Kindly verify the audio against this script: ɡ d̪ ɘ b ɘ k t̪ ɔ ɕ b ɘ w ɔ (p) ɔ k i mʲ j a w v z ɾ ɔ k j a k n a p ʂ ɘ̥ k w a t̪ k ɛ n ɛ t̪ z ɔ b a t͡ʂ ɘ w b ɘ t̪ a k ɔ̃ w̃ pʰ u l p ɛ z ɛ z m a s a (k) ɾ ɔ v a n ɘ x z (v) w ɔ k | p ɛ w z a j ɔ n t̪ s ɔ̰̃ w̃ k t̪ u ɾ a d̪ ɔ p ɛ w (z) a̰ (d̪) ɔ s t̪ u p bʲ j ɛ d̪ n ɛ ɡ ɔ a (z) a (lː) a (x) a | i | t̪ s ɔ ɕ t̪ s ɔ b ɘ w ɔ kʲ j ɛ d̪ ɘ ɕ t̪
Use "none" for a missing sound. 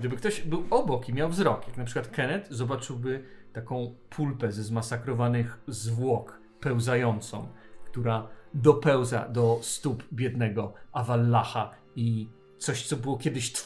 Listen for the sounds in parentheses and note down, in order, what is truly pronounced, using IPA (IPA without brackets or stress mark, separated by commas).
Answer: b, k, v, z, d̪, v, lː, x